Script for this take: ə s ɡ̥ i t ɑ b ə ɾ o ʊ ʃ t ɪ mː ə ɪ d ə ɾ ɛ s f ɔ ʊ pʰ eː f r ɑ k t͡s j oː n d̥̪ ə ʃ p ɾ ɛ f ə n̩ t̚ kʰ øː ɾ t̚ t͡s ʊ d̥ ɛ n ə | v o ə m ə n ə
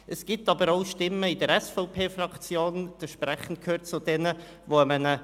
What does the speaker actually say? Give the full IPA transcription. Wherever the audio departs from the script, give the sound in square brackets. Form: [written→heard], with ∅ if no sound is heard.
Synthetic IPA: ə s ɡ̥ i t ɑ b ə ɾ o ʊ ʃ t ɪ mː ə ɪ d ə ɾ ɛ s f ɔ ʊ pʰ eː f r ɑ k t͡s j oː n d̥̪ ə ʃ p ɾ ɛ [f→χ] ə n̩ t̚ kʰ øː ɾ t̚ t͡s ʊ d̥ ɛ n ə | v o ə m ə n ə